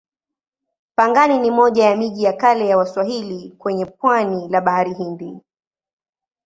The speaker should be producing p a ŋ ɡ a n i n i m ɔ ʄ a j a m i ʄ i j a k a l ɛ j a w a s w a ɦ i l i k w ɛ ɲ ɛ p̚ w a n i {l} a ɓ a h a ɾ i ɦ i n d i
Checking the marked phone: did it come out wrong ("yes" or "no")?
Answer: no